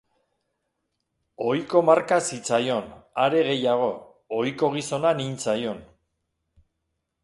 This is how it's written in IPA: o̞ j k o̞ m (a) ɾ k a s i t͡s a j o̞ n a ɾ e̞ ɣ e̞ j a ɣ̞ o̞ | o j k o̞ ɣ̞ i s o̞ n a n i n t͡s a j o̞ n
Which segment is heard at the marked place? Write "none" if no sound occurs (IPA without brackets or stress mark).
a